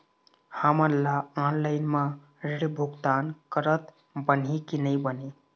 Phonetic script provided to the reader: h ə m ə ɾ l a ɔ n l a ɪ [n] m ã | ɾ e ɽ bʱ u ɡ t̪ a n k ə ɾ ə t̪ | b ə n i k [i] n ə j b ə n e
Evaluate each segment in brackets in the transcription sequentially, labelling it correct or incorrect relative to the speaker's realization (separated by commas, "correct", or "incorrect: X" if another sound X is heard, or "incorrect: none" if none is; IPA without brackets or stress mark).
correct, correct